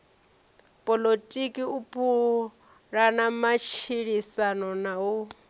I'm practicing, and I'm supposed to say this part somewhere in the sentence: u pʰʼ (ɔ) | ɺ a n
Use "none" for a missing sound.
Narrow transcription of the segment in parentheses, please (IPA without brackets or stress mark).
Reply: u